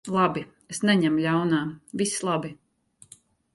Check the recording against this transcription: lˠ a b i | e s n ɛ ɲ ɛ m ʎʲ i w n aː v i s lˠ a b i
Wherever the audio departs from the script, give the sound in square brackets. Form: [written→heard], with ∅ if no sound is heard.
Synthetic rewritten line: lˠ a b i | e s n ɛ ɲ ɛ m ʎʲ [i→a] w n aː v i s lˠ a b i